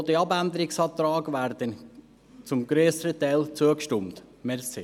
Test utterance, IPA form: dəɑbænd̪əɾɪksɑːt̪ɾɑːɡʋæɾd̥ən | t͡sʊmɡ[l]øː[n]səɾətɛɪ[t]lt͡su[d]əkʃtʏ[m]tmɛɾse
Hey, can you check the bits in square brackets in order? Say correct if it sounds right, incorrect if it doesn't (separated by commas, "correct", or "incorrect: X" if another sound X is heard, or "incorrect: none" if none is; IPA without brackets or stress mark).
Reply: incorrect: ɾ, incorrect: none, incorrect: none, incorrect: none, correct